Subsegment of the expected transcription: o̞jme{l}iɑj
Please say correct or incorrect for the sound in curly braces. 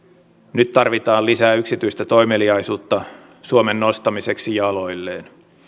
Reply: correct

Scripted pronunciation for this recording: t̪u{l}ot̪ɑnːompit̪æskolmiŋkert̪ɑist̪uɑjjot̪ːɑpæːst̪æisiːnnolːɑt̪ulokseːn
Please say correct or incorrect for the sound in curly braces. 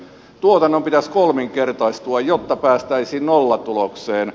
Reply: incorrect: none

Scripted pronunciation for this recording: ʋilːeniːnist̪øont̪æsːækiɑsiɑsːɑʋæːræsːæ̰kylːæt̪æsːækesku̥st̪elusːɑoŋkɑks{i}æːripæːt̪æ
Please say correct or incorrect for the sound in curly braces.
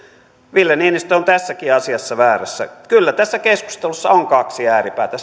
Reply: correct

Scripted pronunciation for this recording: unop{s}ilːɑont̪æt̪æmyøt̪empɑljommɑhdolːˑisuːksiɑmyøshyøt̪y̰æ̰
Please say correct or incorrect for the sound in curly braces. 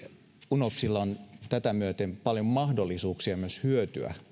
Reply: correct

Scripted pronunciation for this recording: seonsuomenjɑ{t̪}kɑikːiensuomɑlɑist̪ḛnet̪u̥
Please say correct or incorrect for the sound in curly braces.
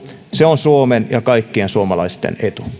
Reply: incorrect: none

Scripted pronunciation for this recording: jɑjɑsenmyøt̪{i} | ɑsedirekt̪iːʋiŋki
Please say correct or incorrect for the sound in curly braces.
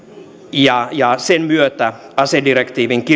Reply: incorrect: æ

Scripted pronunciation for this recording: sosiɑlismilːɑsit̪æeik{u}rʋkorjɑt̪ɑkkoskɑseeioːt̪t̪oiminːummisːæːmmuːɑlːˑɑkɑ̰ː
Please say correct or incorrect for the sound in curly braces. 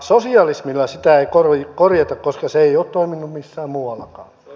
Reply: incorrect: o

